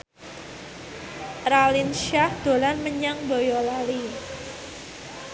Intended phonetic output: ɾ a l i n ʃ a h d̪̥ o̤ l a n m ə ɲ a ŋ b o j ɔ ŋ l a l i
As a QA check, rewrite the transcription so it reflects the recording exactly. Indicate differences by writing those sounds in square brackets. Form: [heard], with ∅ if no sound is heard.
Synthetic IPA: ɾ a l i n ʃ a h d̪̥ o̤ l a n m ə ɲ a ŋ b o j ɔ [∅] l a l i

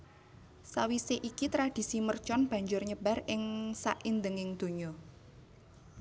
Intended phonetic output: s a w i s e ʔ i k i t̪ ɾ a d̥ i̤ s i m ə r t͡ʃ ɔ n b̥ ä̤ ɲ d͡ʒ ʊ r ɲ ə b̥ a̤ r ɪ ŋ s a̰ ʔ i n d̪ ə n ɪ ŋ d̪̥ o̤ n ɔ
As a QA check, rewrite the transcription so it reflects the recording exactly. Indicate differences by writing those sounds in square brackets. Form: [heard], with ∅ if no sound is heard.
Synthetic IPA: s a w i s e ʔ i k i t̪ ɾ a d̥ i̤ s i m ə r t͡ʃ ɔ n b̥ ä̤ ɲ d͡ʒ ʊ r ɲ ə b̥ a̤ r ɪ ŋ s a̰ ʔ i n d̪ ə [ŋ] ɪ ŋ d̪̥ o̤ [ɲ] ɔ

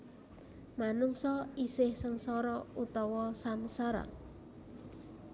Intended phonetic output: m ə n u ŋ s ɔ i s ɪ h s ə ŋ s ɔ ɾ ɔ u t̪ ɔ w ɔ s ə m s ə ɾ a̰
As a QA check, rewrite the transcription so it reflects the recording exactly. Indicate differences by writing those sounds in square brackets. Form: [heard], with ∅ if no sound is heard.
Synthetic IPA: m [a] n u ŋ s ɔ i s ɪ h s ə ŋ s ɔ ɾ ɔ u t̪ ɔ w ɔ s [a] m s [a] ɾ a̰

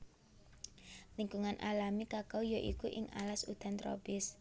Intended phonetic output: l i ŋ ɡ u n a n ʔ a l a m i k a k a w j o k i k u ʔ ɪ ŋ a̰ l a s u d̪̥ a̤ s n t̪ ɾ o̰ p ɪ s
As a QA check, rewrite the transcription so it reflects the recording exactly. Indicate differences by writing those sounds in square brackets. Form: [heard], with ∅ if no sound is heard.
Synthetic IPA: l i ŋ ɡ u [ŋ] a n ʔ a l a m i k a k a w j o [ʔ] i k u ʔ ɪ ŋ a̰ l a s u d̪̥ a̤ [∅] n t̪ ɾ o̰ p ɪ s

